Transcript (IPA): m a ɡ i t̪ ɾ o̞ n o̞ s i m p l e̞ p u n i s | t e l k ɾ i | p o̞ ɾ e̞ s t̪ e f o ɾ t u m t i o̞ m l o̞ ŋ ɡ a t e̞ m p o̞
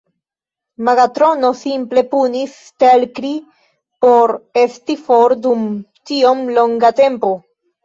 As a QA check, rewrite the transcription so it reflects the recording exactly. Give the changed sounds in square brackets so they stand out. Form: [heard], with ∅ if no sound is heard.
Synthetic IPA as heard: m a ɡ [a] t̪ ɾ o̞ n o̞ s i m p l e̞ p u n i s | t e l k ɾ i | p o̞ ɾ e̞ s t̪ [i] f o ɾ [d] u m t i o̞ m l o̞ ŋ ɡ a t e̞ m p o̞